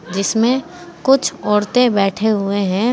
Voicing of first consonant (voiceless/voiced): voiced